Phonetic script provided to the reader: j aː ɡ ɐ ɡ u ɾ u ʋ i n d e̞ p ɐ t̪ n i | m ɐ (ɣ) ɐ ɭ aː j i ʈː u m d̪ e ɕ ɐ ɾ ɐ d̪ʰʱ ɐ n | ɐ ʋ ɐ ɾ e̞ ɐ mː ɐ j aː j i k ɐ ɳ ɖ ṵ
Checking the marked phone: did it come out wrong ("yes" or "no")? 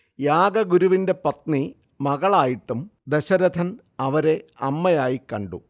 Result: no